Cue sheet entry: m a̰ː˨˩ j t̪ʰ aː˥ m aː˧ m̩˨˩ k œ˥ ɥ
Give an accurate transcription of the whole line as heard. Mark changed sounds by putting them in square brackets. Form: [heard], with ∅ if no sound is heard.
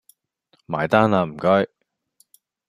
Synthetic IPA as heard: m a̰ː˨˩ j [t̪] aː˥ [n] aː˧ m̩˨˩ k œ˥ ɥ